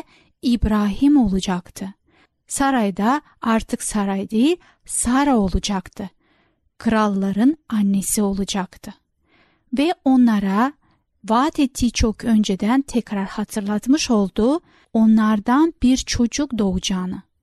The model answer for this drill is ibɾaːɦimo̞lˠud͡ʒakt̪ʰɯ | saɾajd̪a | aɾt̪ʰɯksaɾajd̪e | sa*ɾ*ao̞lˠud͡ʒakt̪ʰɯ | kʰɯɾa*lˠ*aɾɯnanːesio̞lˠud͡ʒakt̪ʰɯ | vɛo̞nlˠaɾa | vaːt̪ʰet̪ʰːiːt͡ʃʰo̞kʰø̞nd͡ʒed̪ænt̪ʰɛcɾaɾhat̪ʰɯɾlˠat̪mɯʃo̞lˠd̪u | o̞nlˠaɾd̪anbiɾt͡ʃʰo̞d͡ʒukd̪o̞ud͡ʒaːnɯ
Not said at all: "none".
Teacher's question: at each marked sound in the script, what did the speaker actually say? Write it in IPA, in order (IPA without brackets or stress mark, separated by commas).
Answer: ɾ, lˠː